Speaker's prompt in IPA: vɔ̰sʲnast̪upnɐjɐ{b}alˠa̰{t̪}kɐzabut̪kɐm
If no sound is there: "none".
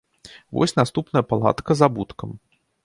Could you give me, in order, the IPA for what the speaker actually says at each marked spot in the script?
p, t̪

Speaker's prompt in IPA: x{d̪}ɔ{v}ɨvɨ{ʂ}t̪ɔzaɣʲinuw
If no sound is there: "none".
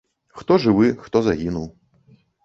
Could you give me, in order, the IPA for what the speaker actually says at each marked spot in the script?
t̪, ʐ, x

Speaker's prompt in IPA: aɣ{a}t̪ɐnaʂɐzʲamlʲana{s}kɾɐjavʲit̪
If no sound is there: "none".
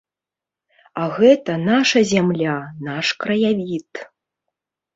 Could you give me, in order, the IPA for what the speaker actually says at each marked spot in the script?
ɛ, ʂ

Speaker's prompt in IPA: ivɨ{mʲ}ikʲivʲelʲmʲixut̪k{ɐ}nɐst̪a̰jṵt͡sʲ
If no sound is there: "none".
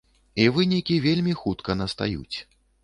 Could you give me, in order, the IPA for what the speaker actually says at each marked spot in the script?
nʲ, ɐ

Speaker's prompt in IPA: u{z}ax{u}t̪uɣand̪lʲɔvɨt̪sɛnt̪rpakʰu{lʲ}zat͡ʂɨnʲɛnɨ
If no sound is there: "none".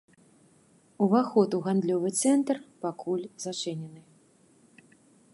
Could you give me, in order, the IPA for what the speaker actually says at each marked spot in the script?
v, ɔ, lʲ

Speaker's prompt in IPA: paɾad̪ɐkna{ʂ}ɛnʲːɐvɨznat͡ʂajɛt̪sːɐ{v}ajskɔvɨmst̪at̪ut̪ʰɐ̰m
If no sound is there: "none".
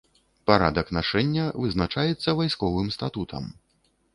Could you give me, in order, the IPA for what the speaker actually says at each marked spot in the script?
ʂ, v

